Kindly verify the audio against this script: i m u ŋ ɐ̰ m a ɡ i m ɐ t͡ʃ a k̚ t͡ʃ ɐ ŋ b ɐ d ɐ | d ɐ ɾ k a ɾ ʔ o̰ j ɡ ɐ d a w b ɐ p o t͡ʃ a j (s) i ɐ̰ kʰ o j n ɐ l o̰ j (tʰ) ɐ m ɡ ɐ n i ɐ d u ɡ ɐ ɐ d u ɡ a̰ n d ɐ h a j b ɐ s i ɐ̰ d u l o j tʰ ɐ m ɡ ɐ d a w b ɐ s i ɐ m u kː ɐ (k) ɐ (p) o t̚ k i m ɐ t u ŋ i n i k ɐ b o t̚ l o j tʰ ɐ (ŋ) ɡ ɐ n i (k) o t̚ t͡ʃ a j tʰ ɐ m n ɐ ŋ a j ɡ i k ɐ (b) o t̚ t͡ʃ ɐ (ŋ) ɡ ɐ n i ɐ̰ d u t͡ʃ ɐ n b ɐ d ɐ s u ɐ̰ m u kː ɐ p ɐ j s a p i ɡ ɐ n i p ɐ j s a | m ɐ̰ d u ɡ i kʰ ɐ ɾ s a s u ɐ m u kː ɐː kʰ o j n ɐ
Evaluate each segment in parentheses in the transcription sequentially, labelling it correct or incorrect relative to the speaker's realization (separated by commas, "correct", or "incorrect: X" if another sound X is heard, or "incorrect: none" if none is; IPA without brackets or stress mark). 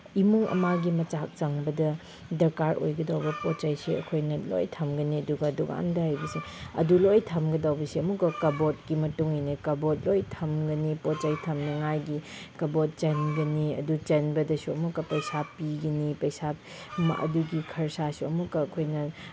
correct, correct, correct, incorrect: b, incorrect: m, incorrect: p, correct, incorrect: n